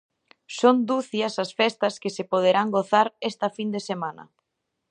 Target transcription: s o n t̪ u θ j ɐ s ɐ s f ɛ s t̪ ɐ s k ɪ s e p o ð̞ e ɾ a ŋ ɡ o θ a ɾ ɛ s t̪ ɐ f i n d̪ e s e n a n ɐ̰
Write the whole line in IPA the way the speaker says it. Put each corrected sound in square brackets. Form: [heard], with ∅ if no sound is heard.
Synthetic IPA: s o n [d̪] u θ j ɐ s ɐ s f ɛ s t̪ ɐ s k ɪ s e p o ð̞ e ɾ a ŋ ɡ o θ a ɾ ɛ s t̪ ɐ f i n d̪ e s e [m] a n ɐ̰